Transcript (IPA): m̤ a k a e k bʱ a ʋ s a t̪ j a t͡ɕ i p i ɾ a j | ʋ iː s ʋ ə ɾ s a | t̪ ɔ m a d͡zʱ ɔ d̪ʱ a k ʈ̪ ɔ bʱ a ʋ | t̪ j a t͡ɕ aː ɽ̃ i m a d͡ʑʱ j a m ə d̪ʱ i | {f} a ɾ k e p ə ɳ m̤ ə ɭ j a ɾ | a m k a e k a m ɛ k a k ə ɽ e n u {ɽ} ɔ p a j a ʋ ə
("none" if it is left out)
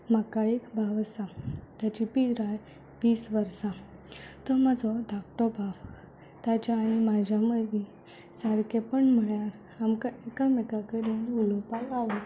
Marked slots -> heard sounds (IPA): s, l

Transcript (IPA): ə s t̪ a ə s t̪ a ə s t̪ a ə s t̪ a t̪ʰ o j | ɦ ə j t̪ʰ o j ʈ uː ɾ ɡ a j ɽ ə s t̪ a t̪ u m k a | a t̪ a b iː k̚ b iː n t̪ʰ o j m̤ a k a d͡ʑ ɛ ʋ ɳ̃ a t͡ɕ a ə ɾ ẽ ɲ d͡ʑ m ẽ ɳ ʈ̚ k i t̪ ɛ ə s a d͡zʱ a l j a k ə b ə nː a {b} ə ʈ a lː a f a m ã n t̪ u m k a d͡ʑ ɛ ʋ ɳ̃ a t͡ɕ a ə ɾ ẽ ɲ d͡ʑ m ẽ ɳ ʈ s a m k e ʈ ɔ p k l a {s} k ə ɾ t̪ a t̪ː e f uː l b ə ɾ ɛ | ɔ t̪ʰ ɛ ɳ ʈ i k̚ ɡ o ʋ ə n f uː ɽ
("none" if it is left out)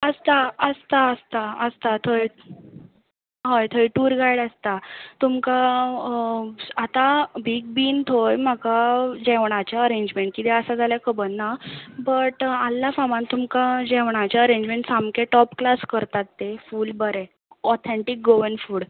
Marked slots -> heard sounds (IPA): b, s

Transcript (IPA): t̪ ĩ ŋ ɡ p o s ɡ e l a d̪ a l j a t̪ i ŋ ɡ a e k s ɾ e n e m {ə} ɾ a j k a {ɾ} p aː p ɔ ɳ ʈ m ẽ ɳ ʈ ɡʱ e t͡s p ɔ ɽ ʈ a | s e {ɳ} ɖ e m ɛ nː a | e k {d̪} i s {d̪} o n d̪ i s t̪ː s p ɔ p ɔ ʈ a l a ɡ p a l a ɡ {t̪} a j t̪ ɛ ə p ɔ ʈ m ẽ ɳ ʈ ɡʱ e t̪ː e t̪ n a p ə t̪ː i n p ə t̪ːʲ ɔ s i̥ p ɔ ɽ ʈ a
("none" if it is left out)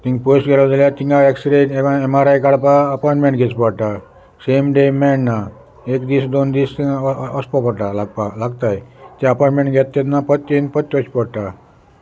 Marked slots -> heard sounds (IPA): a, ɽ, m, d̪, d̪, t̪

